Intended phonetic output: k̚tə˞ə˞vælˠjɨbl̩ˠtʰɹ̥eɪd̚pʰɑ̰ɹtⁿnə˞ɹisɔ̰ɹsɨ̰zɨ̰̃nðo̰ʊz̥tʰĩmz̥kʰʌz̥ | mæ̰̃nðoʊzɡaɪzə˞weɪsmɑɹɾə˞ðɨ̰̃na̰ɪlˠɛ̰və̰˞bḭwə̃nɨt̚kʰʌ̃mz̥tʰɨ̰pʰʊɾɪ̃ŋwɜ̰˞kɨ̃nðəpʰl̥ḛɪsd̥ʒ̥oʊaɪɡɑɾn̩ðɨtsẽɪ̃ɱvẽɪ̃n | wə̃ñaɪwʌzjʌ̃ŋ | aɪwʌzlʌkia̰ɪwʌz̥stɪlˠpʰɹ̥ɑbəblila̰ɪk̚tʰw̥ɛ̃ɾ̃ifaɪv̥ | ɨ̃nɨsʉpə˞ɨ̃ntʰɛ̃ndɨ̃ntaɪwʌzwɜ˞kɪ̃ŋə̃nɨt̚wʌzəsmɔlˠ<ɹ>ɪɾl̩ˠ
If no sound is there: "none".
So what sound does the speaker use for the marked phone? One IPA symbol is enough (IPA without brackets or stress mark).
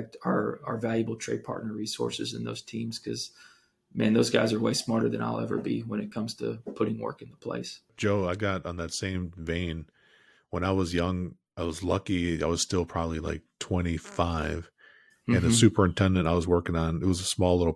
l